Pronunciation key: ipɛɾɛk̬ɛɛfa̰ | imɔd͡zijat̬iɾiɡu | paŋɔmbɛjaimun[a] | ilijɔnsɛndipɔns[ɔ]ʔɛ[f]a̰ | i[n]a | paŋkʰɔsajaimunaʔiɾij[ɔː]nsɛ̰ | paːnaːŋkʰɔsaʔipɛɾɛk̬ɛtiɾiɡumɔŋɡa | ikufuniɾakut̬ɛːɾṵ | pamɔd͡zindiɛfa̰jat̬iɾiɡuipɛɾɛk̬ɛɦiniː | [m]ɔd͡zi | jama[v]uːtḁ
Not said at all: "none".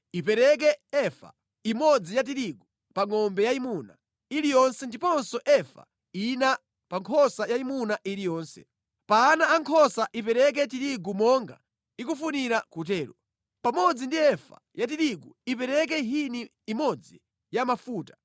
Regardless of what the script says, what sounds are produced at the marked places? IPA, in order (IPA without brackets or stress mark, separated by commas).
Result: a, ɔ, f, n, ɔː, m, f